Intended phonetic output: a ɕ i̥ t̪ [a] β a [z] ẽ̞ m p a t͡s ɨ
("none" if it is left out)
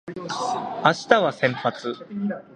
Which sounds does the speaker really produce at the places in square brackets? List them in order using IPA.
a, s

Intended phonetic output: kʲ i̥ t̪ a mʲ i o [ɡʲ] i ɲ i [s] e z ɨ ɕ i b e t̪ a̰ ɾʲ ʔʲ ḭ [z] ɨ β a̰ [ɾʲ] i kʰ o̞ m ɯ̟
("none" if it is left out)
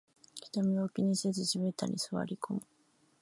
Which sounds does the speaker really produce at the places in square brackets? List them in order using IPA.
kʲ, s, s, ɾʲ

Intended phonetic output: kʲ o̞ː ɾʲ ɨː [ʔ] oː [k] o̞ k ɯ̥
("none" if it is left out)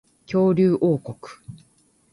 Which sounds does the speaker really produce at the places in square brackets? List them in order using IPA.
ʔ, k

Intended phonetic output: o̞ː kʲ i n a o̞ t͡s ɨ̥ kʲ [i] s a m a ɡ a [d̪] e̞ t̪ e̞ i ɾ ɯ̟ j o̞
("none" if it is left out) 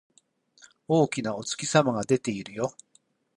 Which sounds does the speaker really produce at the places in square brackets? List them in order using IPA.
i, d̪

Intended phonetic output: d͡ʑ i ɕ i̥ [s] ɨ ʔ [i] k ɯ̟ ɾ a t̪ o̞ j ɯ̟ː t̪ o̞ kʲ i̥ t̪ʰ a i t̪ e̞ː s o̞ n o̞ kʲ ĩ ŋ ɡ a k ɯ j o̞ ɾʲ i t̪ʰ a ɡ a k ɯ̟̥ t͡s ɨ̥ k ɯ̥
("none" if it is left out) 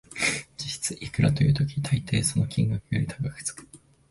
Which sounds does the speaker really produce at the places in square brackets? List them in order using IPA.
t͡s, i

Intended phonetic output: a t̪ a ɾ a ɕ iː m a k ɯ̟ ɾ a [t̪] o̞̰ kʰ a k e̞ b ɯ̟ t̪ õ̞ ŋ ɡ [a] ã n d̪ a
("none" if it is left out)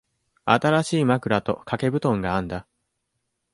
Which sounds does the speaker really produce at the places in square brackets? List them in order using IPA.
t̪, a

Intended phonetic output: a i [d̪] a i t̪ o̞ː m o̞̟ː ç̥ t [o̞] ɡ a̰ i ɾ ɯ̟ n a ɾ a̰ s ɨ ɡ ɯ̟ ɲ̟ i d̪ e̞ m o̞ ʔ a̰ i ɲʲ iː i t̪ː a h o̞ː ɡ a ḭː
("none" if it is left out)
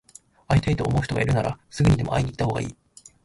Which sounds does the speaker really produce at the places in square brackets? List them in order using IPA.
t̪, o̞

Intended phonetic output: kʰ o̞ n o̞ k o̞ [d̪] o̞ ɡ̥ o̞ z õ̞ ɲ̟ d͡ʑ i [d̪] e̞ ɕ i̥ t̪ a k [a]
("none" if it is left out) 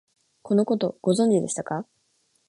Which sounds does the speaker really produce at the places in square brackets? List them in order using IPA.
t̪, d̪, a

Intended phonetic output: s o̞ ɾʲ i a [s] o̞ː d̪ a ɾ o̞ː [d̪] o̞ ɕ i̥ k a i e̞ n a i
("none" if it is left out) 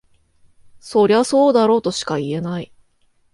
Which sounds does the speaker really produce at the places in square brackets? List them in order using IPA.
s, t̪

